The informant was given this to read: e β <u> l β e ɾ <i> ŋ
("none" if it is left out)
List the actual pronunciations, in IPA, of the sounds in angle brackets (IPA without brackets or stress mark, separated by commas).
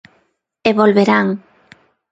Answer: o, a